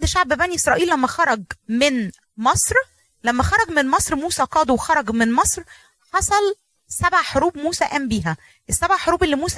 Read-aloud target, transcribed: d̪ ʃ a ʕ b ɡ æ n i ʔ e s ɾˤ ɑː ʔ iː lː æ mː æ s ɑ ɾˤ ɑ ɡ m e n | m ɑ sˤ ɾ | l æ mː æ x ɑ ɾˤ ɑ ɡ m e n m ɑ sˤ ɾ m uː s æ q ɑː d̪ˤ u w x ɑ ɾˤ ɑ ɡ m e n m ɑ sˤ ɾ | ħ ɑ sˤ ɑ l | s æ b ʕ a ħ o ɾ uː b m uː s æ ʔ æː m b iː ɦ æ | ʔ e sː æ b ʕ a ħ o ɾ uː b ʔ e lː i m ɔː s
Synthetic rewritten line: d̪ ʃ a ʕ b b æ n i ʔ e s ɾˤ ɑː ʔ iː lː æ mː æ x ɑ ɾˤ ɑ ɡ m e n | m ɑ sˤ ɾ | l æ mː æ x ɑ ɾˤ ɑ ɡ m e n m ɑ sˤ ɾ m uː s æ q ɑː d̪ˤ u w x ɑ ɾˤ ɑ ɡ m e n m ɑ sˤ ɾ | ħ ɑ sˤ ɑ l | s æ b ʕ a ħ o ɾ uː b m uː s æ ʔ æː m b iː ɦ æ | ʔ e sː æ b ʕ a ħ o ɾ uː b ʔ e lː i m uː s